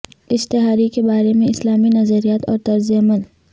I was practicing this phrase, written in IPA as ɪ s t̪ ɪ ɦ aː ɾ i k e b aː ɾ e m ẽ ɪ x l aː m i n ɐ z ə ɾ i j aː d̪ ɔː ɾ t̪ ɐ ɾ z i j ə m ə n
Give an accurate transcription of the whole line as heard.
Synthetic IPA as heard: ɪ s t̪ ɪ ɦ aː ɾ i k e b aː ɾ e m ẽ ɪ s l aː m i n ɐ z ə ɾ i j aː t̪ ɔː ɾ t̪ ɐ ɾ z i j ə m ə n